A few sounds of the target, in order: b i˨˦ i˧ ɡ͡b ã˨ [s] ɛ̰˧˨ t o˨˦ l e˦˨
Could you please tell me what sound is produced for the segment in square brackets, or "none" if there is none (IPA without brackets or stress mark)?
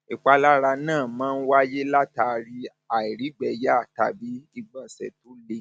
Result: s